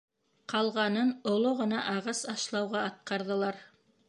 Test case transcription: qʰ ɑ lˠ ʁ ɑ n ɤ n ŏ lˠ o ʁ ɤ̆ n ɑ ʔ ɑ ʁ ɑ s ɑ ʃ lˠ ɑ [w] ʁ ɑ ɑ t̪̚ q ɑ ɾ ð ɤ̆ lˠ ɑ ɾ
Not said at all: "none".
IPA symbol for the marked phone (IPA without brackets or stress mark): w